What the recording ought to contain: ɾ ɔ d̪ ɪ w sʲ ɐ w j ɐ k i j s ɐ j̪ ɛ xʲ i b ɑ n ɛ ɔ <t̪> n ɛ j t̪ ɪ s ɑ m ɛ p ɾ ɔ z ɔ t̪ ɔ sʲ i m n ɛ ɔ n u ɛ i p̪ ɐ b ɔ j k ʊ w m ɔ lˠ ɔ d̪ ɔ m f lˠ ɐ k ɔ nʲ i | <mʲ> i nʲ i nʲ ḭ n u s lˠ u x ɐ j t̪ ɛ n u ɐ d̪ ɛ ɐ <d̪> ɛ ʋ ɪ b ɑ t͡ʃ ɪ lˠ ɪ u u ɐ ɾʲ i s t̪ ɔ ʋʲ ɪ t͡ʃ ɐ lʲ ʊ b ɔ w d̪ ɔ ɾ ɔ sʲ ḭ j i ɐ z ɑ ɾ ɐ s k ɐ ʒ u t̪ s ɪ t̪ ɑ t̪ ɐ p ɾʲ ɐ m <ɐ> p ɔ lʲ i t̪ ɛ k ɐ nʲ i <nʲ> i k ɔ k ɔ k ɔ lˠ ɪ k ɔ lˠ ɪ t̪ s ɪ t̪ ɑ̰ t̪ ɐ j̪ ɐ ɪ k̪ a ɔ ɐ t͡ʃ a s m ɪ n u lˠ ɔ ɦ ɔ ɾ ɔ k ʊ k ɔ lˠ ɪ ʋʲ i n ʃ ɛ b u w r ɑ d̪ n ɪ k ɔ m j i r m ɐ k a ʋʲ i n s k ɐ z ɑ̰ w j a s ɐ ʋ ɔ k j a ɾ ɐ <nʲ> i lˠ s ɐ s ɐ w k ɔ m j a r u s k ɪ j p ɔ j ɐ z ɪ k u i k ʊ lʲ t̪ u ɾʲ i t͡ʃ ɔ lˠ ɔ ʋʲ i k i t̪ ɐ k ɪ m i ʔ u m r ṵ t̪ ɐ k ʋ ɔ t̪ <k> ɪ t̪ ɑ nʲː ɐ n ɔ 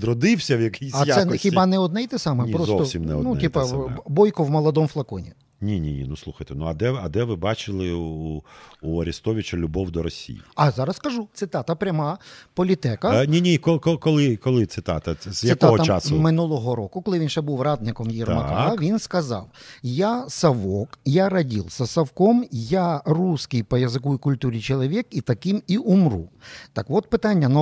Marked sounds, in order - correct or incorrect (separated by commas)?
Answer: incorrect, incorrect, correct, incorrect, correct, incorrect, incorrect